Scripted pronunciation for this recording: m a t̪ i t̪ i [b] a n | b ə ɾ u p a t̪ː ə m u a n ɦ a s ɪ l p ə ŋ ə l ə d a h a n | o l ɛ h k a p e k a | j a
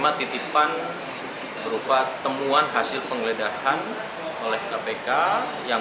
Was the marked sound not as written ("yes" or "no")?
yes